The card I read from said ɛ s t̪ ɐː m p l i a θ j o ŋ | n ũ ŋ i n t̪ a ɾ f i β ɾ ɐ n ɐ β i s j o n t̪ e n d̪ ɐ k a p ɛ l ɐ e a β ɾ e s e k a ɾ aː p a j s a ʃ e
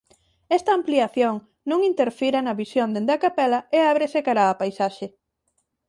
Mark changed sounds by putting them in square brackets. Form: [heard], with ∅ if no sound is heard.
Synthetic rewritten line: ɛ s t̪ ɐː m p l i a θ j o ŋ | n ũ ŋ i n t̪ [e] ɾ f i [∅] ɾ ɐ n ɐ β i s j o n [d̪] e n d̪ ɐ k a p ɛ l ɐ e a β ɾ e s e k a ɾ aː p a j s a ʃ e